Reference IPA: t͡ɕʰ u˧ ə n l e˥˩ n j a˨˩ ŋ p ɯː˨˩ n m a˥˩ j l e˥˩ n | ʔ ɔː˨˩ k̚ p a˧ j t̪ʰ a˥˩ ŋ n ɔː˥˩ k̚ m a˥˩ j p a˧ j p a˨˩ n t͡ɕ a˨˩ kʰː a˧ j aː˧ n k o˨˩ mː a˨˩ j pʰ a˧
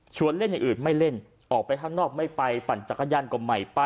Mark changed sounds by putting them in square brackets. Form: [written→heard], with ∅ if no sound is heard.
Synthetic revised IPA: t͡ɕʰ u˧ ə n l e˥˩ n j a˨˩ ŋ [p→ʔ] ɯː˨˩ n m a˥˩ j l e˥˩ n | ʔ ɔː˨˩ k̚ p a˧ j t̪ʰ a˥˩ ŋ n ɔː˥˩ k̚ m a˥˩ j p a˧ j p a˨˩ n t͡ɕ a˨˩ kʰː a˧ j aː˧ n k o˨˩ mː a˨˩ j [pʰ→p] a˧